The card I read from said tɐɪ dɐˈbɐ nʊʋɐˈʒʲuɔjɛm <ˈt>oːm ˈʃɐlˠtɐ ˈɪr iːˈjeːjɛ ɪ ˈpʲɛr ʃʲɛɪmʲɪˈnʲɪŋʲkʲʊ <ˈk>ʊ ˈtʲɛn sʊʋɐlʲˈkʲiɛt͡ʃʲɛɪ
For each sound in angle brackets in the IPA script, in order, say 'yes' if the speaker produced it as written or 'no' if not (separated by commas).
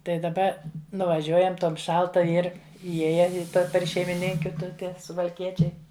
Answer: yes, no